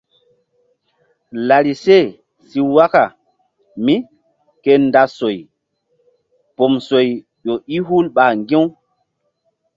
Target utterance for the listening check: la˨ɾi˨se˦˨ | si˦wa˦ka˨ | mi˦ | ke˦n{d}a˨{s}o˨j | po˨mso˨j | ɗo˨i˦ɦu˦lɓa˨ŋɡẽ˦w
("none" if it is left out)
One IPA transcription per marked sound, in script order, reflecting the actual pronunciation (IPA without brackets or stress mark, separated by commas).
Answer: d, s